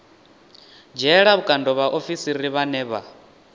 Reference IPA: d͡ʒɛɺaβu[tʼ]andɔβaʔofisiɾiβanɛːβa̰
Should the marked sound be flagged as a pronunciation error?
yes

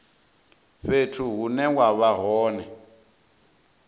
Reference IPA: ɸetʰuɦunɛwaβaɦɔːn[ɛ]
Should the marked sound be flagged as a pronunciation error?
no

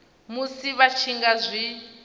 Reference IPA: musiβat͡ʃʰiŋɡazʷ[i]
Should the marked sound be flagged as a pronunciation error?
no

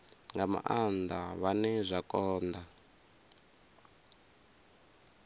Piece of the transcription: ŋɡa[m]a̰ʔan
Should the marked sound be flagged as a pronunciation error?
no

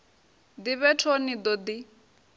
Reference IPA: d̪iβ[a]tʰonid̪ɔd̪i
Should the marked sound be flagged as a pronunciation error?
yes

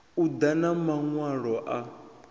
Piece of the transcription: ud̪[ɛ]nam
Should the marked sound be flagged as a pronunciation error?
yes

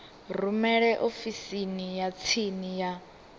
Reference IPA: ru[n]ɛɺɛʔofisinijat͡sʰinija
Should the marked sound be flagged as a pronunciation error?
yes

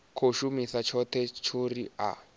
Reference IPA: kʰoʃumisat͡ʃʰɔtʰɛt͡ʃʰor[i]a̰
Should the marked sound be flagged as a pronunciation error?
no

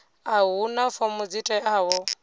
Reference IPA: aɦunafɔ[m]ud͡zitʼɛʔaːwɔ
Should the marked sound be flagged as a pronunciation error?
no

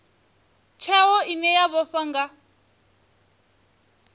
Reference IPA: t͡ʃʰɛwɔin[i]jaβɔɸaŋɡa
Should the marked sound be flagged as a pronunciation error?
yes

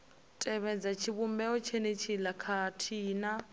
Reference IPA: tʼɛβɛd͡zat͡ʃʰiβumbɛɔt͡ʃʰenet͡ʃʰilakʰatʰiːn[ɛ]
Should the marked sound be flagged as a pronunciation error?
yes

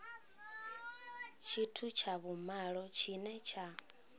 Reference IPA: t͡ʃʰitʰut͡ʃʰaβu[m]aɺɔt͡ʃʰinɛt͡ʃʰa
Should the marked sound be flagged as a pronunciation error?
no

